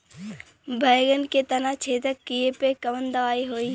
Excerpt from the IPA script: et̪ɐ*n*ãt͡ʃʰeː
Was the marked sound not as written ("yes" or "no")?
no